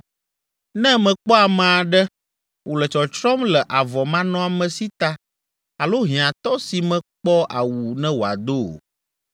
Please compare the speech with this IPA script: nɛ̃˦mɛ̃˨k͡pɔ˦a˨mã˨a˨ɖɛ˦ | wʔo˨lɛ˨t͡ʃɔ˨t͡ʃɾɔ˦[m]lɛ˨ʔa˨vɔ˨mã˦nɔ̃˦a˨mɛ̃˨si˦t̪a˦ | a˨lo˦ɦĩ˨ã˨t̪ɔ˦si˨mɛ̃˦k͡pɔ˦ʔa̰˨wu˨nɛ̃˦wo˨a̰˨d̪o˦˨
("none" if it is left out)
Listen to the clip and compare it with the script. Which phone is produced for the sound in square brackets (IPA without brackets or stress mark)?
m